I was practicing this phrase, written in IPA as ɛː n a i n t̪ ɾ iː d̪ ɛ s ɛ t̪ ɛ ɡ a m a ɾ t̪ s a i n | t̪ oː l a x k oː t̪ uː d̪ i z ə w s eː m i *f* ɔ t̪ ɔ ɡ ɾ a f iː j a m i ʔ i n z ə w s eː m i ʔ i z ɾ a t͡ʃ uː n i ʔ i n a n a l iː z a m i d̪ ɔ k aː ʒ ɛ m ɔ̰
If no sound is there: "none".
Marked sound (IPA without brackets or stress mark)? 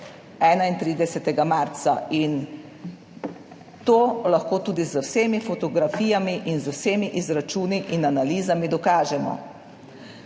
f